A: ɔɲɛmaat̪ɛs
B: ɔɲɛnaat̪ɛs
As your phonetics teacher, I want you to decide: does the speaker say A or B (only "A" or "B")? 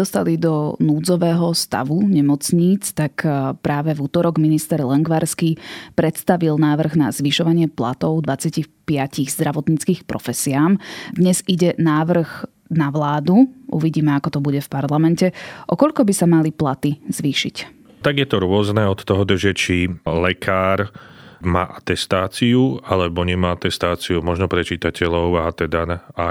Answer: A